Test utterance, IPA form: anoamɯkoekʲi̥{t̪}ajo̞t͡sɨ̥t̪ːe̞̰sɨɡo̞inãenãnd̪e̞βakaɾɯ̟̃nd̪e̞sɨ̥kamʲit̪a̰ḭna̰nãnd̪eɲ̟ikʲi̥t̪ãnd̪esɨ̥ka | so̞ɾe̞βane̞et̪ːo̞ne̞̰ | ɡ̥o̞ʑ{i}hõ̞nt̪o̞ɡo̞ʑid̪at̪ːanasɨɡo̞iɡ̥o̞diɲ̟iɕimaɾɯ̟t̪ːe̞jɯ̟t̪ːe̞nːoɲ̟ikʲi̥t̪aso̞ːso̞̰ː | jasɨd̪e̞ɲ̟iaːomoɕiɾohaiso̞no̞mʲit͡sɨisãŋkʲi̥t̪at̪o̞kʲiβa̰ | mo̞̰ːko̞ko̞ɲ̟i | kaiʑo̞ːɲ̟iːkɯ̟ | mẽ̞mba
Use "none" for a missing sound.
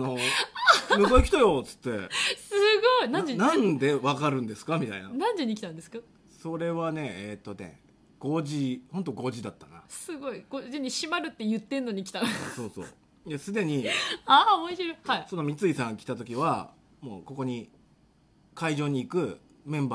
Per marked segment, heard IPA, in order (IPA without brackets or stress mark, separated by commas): t̪, i